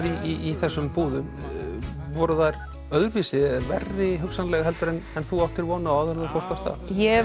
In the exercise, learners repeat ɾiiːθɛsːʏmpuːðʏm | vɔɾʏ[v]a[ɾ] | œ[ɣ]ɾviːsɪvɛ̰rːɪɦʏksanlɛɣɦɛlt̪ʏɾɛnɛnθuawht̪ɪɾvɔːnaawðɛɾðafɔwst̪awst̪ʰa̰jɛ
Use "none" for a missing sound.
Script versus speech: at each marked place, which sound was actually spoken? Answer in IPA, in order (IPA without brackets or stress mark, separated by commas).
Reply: ð, ɾ, ð